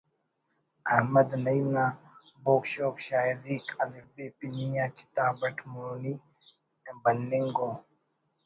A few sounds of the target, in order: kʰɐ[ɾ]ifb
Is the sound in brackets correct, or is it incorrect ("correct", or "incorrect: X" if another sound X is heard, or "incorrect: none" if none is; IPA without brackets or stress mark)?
incorrect: l